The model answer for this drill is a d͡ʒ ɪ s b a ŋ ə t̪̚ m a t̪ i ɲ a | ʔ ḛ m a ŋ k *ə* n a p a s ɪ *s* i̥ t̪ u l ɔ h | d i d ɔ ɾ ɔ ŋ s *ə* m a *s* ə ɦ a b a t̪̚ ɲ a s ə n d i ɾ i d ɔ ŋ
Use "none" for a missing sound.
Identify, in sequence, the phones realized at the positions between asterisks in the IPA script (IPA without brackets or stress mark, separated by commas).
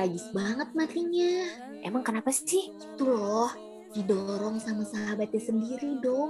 ə, h, a, s